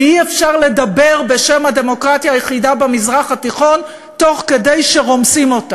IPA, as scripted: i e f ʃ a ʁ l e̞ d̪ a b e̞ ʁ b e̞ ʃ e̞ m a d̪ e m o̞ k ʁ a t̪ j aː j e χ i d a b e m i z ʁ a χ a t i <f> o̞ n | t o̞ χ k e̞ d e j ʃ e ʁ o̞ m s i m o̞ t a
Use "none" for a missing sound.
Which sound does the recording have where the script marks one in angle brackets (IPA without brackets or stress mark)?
χ